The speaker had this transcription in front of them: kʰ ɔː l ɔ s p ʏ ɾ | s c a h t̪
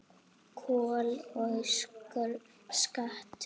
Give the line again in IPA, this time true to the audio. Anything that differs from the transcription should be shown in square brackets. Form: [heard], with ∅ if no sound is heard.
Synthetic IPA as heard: kʰ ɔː l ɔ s [k] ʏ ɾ | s [k] a h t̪